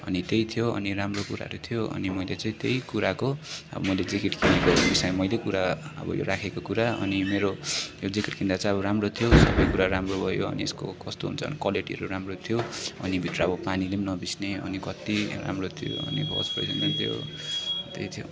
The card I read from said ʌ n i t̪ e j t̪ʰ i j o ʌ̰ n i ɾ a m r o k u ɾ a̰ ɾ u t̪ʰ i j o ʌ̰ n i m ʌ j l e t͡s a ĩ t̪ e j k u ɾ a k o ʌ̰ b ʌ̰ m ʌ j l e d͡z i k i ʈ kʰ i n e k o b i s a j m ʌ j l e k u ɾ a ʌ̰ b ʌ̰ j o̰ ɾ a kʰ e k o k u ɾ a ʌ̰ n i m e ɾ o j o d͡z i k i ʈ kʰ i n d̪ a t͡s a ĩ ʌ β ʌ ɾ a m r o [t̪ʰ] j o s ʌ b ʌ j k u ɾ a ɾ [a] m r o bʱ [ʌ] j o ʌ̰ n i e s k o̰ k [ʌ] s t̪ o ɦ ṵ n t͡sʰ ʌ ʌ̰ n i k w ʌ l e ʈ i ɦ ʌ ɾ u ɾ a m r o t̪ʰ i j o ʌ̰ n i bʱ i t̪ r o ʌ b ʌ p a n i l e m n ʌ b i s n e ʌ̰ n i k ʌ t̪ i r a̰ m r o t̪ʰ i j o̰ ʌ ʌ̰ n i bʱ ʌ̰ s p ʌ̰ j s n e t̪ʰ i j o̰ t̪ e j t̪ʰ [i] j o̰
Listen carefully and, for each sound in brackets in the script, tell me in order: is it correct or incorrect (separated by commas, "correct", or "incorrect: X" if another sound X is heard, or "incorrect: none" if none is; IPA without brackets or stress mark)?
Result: correct, correct, correct, correct, correct